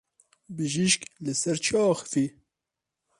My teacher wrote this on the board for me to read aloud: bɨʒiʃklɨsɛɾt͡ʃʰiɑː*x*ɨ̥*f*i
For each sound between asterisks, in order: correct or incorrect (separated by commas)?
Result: correct, correct